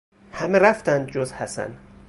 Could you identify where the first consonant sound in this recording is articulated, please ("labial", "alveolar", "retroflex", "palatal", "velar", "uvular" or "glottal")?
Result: glottal